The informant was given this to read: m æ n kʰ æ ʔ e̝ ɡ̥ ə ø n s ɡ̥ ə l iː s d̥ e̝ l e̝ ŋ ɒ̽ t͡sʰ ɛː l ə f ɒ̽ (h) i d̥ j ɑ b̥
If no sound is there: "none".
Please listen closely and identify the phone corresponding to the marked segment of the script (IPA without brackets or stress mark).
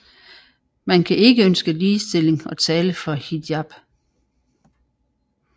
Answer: h